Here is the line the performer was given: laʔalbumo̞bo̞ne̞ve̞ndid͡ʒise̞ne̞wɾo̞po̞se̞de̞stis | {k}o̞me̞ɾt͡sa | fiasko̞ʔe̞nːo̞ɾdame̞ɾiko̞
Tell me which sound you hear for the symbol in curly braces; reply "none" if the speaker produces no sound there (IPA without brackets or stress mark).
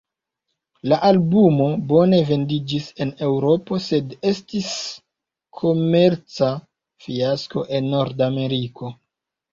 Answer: kʰ